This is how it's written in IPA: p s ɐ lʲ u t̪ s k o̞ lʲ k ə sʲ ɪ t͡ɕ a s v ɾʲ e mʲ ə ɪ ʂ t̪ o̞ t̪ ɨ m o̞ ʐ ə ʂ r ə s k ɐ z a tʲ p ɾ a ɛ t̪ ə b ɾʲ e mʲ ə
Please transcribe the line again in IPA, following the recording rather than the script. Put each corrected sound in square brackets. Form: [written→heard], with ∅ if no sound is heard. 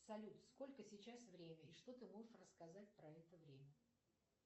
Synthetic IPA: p s ɐ lʲ u t̪ s k o̞ lʲ k ə sʲ ɪ t͡ɕ a s v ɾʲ e mʲ ə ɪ ʂ t̪ o̞ t̪ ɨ m o̞ ʐ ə ʂ r ə s k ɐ z a tʲ p ɾ [a→ɐ] ɛ t̪ ə [b→v] ɾʲ e mʲ ə

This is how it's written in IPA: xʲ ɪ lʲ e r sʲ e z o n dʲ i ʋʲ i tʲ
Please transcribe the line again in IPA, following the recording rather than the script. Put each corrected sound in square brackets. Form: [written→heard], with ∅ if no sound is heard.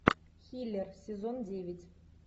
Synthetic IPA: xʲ [ɪ→i] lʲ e r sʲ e z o n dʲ [i→e] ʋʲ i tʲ

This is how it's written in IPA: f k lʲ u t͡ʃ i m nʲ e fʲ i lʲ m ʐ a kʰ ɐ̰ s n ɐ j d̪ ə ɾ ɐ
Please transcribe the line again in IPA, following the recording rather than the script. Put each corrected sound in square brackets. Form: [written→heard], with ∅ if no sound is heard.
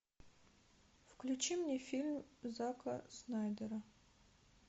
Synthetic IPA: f k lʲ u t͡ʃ i m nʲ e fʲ i lʲ m [ʐ→z] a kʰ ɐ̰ s n [ɐ→a] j d̪ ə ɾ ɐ

